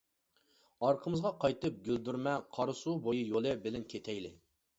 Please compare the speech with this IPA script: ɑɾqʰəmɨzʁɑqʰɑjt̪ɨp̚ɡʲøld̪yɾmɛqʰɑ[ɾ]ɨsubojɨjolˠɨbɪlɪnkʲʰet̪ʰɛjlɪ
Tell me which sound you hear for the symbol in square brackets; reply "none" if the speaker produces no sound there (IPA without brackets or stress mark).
ɾ